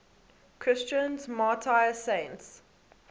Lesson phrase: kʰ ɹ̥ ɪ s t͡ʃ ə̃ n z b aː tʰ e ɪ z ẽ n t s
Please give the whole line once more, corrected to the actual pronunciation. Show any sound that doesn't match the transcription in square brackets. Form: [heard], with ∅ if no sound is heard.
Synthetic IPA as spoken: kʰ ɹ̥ ɪ s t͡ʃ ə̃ n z [m] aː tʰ [a] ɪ [s] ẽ n t s